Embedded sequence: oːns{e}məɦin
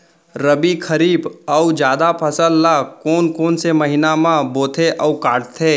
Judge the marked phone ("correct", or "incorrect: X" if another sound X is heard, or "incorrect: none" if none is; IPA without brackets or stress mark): correct